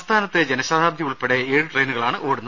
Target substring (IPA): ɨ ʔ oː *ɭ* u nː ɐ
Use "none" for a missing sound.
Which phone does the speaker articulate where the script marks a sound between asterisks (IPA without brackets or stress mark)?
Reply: ɽ